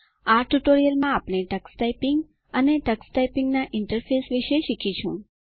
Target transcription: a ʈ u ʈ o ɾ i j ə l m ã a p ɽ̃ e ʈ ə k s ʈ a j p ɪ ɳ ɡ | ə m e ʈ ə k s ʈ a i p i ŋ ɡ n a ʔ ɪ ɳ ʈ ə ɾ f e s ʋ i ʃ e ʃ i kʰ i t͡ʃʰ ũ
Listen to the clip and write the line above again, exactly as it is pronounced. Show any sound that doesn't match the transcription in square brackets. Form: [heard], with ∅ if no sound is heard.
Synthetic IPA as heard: a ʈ u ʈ o ɾ i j ə l m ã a p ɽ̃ e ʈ ə k s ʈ a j p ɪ [ŋ] ɡ | ə [n] e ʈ ə k s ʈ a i p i ŋ ɡ n a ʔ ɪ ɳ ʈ ə ɾ f e s ʋ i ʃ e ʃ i kʰ i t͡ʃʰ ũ